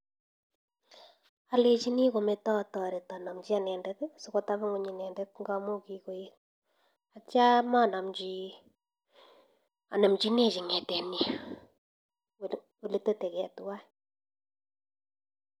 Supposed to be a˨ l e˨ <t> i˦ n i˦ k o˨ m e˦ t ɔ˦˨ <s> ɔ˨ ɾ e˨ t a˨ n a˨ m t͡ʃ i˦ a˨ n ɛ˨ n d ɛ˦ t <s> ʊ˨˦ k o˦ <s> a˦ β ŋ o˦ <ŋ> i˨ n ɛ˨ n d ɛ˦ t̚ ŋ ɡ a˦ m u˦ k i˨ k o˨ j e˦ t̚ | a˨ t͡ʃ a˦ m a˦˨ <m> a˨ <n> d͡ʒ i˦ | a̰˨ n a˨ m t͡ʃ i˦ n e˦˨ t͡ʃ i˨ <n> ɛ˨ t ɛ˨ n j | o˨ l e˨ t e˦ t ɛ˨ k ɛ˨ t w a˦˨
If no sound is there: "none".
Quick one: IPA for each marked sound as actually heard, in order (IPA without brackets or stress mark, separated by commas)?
t͡ʃ, t, s, t, ɲ, n, m, ŋ